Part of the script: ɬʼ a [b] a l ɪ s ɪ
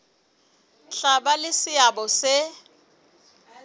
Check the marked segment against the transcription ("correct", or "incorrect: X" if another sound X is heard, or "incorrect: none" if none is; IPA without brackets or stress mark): correct